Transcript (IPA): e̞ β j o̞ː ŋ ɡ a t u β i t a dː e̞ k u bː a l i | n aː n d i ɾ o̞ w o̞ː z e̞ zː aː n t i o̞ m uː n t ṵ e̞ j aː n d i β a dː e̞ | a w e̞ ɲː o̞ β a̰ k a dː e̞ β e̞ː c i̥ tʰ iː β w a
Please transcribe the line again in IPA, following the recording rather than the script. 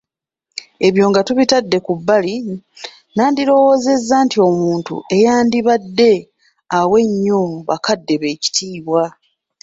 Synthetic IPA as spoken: e̞ β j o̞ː ŋ ɡ a t u β i t a dː e̞ k u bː a l i | n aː n d i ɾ o̞ w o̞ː z e̞ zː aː n t i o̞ m uː n t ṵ e̞ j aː n d i β a dː e̞ | a w e̞ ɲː o̞ β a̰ k a dː e̞ β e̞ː c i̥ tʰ iː β w a